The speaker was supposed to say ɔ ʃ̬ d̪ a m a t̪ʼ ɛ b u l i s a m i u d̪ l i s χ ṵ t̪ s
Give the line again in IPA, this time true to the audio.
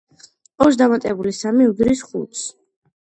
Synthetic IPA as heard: ɔ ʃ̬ d̪ a m a t̪ʼ ɛ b u l i s a m i u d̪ ɾ i s χ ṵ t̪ s